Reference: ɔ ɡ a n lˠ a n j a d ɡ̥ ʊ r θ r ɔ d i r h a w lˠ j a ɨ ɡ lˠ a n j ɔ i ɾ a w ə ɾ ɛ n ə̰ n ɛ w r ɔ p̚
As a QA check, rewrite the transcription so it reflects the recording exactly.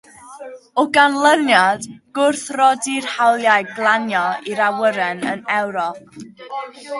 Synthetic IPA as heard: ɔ ɡ a n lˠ ə n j a d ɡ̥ ʊ r θ r ɔ d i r h a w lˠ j a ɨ ɡ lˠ a n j ɔ i ɾ a w ə ɾ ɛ n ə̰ n ɛ w ɾ ɔ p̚